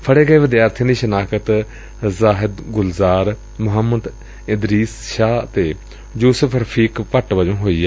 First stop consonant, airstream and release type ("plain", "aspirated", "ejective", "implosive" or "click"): aspirated